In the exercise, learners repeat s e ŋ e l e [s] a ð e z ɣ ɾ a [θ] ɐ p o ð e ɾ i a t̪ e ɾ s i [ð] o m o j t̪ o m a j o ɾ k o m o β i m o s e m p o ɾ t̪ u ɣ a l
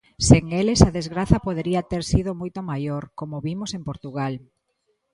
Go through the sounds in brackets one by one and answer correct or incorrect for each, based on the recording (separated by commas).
correct, correct, correct